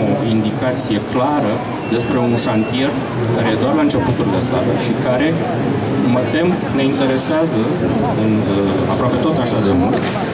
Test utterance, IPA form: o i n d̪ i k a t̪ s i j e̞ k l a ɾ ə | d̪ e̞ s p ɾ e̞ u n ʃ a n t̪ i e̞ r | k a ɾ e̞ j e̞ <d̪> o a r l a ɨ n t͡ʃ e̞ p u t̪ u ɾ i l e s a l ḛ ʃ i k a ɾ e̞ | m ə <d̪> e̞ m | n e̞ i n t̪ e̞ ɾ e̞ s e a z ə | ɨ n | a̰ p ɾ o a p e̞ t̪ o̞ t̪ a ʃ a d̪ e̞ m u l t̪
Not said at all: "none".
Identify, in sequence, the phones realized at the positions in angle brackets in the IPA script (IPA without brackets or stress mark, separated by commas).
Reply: d̪, t̪